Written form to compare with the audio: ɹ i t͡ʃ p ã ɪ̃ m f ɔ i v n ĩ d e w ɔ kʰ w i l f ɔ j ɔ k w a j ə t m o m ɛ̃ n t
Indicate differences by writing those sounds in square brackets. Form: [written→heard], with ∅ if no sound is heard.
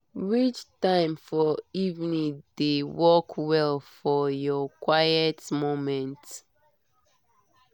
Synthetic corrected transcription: ɹ i t͡ʃ [p→t] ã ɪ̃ m f ɔ i v n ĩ d e w ɔ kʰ w [i→ɛ] l f ɔ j ɔ k w a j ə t m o m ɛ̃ n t